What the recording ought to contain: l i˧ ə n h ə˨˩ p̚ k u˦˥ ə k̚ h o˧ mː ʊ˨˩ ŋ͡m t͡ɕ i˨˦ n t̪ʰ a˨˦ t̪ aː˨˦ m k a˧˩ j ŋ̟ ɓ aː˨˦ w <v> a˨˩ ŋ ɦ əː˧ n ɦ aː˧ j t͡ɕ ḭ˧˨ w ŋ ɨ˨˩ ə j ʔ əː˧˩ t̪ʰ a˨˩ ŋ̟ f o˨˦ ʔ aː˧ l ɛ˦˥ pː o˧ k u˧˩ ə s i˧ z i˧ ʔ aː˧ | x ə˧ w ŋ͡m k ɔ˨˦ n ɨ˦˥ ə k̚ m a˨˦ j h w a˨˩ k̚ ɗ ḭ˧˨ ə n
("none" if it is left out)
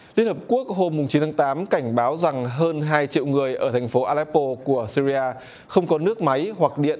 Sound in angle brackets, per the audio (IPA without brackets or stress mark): z